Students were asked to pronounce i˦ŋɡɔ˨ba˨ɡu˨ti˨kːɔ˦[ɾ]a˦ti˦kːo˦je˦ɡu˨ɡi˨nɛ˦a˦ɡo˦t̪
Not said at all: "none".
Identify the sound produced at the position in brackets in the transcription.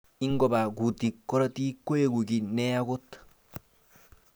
ɾ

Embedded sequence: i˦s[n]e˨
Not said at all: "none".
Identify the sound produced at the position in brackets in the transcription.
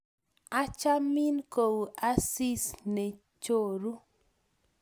n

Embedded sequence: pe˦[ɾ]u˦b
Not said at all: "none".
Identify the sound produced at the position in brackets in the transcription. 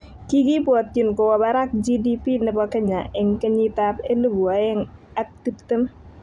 l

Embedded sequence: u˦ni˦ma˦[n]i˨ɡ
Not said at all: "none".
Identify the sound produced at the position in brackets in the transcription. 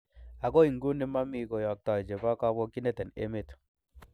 m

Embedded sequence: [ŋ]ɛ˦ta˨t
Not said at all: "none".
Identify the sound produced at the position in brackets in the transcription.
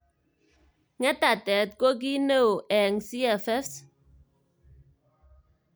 ŋ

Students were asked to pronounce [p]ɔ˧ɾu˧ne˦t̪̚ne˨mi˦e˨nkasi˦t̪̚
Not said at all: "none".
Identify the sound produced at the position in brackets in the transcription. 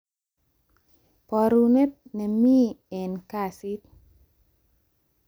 p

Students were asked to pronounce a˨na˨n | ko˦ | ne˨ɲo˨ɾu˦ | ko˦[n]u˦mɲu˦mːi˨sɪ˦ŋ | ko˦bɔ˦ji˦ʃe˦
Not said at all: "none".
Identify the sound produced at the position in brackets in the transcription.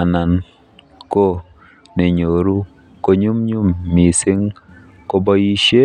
ɲ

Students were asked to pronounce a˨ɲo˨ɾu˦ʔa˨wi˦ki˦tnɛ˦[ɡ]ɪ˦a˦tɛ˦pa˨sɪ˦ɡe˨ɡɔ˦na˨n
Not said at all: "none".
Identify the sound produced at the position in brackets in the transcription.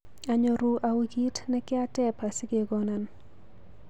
k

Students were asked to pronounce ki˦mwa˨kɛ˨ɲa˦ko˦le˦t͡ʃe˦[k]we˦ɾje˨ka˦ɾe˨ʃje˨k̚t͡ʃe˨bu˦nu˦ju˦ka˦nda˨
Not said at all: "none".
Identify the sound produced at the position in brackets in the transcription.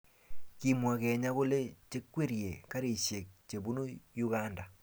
k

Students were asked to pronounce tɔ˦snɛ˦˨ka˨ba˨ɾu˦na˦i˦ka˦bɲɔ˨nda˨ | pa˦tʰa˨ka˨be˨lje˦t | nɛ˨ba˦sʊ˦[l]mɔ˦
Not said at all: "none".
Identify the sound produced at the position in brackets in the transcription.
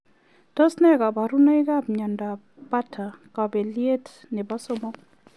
none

